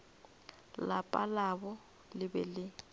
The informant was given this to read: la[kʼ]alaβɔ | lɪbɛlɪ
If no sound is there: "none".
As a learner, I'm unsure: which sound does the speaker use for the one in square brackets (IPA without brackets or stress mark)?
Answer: pʼ